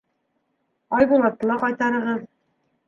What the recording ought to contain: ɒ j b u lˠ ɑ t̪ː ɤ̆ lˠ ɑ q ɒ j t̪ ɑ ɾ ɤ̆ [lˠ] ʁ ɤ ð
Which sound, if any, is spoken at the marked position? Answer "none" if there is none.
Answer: none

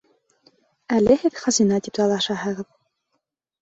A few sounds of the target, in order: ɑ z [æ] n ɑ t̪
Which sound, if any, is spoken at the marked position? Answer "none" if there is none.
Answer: i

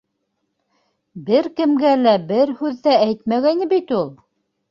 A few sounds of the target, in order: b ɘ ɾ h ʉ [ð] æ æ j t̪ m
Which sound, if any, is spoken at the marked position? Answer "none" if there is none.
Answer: ðː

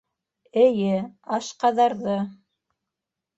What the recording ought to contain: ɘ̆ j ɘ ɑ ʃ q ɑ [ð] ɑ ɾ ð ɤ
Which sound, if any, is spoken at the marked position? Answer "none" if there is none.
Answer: ð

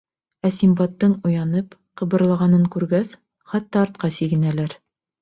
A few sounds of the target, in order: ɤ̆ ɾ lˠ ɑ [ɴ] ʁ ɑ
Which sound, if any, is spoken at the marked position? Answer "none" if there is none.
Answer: none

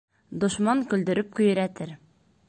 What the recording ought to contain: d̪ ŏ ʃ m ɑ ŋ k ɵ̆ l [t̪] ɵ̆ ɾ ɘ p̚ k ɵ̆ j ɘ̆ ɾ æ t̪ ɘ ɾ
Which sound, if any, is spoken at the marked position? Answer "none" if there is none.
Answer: d̪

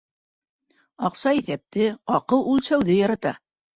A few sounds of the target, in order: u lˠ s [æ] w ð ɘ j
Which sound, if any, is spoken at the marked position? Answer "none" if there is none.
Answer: æ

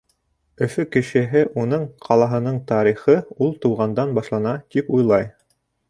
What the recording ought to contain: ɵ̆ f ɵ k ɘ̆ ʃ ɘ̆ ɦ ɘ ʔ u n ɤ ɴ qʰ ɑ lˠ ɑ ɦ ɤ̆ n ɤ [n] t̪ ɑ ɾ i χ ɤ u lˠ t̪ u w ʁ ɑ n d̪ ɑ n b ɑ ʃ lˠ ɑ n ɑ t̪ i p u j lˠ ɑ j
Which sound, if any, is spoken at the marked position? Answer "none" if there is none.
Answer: ɴ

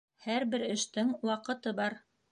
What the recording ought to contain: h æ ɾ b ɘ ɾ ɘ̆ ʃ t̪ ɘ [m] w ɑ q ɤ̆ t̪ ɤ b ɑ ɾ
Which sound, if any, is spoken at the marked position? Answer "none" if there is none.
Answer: ŋ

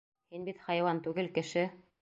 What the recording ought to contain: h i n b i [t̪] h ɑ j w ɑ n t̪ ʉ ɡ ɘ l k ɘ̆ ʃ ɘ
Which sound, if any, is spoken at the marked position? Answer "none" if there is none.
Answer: t̪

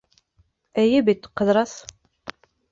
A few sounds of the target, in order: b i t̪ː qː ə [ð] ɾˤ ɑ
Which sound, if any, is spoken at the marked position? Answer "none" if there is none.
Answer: ð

